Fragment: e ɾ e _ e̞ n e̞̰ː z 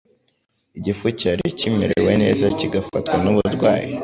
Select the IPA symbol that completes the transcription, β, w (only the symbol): w